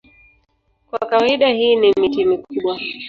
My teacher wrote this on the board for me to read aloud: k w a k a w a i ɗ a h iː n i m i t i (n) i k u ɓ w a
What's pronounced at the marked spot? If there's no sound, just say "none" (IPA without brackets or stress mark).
m